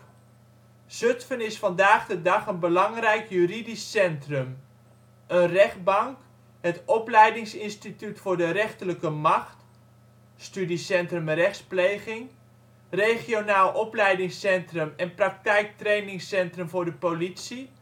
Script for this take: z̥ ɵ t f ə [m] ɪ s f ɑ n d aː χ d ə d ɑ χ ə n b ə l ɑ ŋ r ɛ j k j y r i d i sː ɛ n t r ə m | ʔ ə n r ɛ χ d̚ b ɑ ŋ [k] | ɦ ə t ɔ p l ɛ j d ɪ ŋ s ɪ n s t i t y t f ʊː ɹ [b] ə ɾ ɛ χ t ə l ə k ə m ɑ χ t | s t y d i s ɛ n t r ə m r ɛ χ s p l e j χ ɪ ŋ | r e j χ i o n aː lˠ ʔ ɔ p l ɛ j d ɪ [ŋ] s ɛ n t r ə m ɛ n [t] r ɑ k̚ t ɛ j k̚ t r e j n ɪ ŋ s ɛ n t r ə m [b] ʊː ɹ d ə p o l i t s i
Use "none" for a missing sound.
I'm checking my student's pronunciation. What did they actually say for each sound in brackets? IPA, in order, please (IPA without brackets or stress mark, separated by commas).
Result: n, k, d, ŋ, p, v